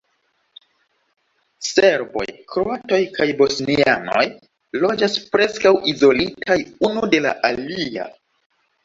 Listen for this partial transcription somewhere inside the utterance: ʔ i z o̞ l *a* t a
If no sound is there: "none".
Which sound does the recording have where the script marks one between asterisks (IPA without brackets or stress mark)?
i